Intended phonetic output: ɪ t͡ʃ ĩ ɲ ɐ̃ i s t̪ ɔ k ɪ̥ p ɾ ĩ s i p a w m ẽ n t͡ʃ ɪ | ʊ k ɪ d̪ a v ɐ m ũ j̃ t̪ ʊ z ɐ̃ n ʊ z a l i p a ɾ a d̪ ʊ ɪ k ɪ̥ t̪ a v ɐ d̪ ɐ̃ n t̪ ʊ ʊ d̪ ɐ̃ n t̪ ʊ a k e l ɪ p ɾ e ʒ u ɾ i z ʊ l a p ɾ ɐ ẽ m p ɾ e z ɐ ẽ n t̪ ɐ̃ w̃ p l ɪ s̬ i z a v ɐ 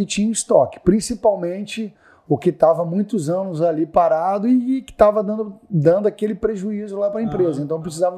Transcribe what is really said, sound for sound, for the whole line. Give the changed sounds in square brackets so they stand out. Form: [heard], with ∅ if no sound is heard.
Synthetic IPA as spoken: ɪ t͡ʃ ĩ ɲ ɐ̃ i s t̪ ɔ k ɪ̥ p ɾ ĩ s i p a w m ẽ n t͡ʃ ɪ | ʊ k ɪ [t̪] a v ɐ m ũ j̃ t̪ ʊ z ɐ̃ n ʊ z a l i p a ɾ a d̪ ʊ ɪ k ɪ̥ t̪ a v ɐ d̪ ɐ̃ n [d̪] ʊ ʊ d̪ ɐ̃ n [d̪] ʊ a k e l ɪ p ɾ e ʒ u [∅] i z ʊ l a p ɾ ɐ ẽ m p ɾ e z ɐ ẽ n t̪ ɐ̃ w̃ p [ɾ] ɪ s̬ i z a v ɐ